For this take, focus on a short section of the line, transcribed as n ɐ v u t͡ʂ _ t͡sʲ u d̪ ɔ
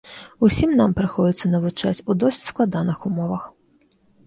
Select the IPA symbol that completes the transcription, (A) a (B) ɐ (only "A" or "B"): A